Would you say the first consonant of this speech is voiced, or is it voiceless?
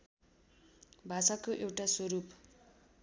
voiced